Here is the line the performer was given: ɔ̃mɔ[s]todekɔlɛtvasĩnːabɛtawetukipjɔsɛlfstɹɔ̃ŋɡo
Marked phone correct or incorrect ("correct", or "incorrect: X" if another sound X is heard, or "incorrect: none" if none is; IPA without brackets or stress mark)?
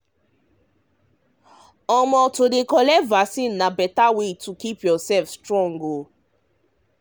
incorrect: none